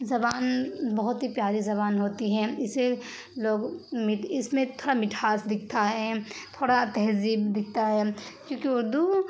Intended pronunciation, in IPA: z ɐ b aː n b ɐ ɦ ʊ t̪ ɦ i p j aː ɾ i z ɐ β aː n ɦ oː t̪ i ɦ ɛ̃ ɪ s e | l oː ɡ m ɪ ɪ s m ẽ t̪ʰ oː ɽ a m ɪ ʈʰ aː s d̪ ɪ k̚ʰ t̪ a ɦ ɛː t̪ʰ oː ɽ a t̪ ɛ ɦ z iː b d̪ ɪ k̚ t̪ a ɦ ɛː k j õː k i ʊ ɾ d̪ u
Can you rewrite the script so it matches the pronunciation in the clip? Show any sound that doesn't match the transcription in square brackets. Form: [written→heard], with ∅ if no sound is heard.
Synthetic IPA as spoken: z ɐ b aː n b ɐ ɦ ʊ t̪ ɦ i p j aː ɾ i z ɐ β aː n ɦ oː t̪ i ɦ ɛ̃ ɪ s e | l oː ɡ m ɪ ɪ s m ẽ t̪ʰ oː ɽ a m ɪ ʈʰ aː s d̪ ɪ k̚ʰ t̪ a ɦ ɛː t̪ʰ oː ɽ a t̪ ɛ ɦ z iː b d̪ ɪ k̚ t̪ a ɦ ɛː k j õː k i ʊ ɾ d̪ u